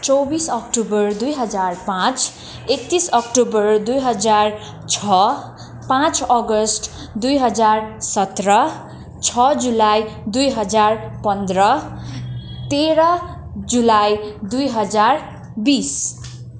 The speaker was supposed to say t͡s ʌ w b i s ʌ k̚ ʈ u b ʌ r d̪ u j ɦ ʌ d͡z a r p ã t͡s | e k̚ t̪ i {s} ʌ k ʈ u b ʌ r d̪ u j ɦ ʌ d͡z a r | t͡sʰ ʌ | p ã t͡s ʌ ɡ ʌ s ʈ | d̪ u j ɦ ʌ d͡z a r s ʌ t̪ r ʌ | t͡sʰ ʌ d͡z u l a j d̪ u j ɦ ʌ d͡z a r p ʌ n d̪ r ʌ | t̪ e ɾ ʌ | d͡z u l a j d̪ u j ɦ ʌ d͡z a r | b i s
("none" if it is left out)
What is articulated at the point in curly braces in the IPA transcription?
s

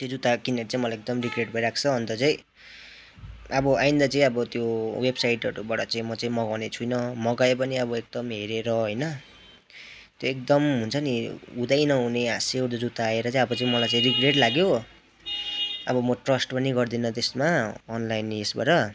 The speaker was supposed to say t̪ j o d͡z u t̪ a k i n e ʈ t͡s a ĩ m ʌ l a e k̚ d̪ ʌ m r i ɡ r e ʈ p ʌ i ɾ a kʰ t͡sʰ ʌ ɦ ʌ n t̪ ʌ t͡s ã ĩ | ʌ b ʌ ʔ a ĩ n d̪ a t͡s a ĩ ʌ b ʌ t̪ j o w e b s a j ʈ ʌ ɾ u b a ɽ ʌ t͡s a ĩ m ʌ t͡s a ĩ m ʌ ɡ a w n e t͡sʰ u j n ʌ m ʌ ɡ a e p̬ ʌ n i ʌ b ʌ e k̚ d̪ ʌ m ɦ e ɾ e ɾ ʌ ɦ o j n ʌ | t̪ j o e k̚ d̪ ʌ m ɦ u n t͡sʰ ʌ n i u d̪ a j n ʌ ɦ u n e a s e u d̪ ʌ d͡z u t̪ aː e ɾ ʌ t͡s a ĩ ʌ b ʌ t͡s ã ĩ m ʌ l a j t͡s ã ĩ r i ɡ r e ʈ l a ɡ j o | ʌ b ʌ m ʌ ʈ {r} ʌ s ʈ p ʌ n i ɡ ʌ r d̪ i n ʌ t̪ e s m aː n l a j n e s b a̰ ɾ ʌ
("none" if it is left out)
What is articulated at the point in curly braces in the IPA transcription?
r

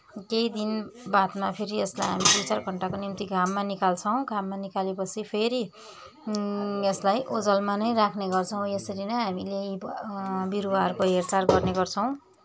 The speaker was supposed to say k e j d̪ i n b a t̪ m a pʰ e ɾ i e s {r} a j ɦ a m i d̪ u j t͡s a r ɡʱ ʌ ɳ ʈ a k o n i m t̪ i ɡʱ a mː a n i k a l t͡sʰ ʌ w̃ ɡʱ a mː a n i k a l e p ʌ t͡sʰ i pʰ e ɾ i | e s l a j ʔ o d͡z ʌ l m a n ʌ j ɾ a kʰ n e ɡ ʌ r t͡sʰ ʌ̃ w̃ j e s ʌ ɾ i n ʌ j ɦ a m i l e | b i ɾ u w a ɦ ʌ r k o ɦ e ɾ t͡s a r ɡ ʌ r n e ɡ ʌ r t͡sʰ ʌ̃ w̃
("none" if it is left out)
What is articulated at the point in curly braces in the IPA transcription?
l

